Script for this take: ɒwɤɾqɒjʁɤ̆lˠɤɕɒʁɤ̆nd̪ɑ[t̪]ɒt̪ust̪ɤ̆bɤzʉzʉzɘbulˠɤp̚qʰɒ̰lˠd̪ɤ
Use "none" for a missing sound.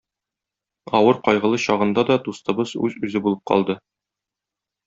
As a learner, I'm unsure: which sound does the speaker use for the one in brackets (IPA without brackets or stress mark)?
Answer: d̪